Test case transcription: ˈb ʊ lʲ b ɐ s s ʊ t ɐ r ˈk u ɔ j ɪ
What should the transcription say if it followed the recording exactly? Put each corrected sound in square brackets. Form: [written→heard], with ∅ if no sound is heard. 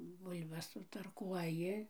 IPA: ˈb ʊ lʲ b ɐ s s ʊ t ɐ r ˈk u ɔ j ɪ